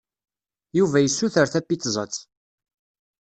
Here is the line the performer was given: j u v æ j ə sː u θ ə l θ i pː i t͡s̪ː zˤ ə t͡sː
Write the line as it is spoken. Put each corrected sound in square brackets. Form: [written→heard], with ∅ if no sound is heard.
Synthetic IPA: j u v æ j ə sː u θ ə [l→ɾ] θ [i→æ] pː i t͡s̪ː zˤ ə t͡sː